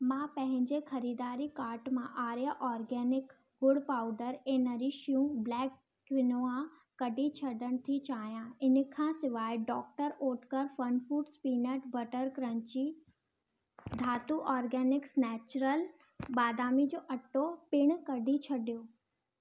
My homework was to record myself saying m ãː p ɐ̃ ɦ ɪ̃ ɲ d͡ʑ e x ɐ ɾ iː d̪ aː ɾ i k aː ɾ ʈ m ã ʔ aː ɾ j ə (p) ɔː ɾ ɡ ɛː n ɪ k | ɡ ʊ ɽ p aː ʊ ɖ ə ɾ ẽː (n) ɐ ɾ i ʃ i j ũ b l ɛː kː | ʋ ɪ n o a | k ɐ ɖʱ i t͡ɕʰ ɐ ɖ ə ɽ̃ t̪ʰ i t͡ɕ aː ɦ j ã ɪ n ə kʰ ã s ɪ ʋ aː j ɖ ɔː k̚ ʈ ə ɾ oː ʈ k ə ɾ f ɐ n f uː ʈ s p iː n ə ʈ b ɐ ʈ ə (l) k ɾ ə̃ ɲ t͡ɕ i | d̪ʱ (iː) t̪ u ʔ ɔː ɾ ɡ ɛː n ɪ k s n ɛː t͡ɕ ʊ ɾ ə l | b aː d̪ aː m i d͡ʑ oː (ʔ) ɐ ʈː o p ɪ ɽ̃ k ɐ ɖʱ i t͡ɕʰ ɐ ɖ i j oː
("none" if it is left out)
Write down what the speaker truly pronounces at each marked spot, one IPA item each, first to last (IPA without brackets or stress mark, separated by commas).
ʔ, n, ɾ, aː, ʔ